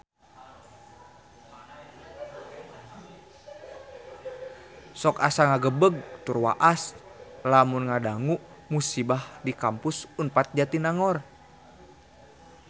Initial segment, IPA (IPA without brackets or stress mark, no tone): s